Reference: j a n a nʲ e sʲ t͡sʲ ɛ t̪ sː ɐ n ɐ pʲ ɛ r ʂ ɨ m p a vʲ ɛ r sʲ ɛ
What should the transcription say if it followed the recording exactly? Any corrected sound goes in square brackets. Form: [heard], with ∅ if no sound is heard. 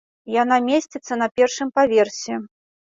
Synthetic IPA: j a n a [mʲ] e sʲ t͡sʲ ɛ t̪ sː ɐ n ɐ pʲ ɛ r ʂ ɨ m p a vʲ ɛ r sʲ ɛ

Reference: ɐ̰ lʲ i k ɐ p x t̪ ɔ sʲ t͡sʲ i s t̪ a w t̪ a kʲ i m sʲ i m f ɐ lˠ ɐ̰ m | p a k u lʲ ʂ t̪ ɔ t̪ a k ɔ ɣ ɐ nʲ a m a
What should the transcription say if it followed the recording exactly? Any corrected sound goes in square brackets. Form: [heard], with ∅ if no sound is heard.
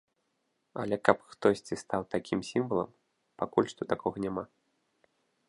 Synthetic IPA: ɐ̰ lʲ [ɛ] k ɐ p x t̪ ɔ sʲ t͡sʲ i s t̪ a w t̪ a kʲ i m sʲ i m [v] ɐ lˠ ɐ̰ m | p a k u lʲ ʂ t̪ ɔ t̪ a k ɔ ɣ ɐ nʲ a m a

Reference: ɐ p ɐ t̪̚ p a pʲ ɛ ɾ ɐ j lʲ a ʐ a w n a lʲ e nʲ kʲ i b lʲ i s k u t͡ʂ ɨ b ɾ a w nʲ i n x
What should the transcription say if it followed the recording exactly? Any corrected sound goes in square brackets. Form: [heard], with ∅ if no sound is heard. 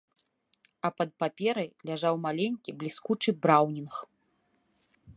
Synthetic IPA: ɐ p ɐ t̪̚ p a pʲ ɛ ɾ ɐ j lʲ a ʐ a w [m] a lʲ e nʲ kʲ i b lʲ i s k u t͡ʂ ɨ b ɾ a w nʲ i n x

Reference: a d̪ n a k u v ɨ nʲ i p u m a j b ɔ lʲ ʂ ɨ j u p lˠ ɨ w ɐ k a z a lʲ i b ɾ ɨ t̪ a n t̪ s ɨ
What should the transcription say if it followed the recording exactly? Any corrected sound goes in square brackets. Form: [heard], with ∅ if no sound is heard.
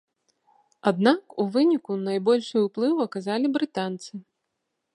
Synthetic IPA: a d̪ n a k u v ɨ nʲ i [k] u [n] a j b ɔ lʲ ʂ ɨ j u p lˠ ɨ w ɐ k a z a lʲ i b ɾ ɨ t̪ a n t̪ s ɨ

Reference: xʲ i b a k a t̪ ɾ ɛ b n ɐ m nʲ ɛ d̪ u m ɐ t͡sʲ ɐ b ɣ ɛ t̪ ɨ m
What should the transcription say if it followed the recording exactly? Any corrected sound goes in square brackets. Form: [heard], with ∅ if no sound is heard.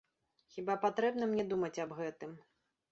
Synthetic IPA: xʲ i b a [p] a t̪ ɾ ɛ b n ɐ m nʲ ɛ d̪ u m ɐ t͡sʲ ɐ b ɣ ɛ t̪ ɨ m

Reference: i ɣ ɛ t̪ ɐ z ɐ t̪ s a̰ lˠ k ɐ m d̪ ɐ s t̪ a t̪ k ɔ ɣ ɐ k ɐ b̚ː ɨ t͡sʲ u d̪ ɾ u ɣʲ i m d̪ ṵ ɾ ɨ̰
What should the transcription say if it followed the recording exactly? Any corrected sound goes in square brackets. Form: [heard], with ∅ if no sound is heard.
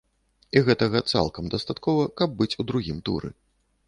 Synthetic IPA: i ɣ ɛ t̪ ɐ [ɣ] ɐ t̪ s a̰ lˠ k ɐ m d̪ ɐ s t̪ a t̪ k ɔ [v] ɐ k ɐ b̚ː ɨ t͡sʲ u d̪ ɾ u ɣʲ i m [t̪] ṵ ɾ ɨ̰

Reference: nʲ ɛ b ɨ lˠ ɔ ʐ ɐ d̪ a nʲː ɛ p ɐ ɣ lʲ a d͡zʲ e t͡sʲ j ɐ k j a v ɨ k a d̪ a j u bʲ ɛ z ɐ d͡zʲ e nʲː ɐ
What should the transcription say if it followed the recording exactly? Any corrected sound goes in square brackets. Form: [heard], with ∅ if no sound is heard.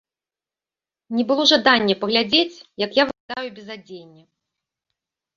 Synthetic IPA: nʲ ɛ b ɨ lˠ ɔ ʐ [a] d̪ a nʲː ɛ p ɐ ɣ lʲ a d͡zʲ e t͡sʲ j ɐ k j a v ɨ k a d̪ a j u bʲ ɛ z [a] d͡zʲ e nʲː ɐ

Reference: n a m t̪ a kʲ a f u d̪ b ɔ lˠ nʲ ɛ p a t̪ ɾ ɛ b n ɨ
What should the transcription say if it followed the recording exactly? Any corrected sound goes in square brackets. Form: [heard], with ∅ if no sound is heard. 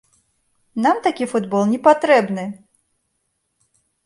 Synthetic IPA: n a m t̪ a kʲ [i] f u d̪ b ɔ lˠ nʲ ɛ p a t̪ ɾ ɛ b n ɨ

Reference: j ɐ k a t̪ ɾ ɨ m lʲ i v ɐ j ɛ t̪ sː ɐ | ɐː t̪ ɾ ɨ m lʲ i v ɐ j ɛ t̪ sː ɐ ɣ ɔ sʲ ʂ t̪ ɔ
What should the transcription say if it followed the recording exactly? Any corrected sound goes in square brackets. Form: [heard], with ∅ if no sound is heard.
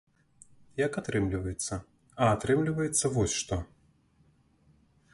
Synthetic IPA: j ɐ k a t̪ ɾ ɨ m lʲ i v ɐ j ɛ t̪ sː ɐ | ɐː t̪ ɾ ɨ m lʲ i v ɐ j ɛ t̪ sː ɐ [v] ɔ sʲ ʂ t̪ ɔ

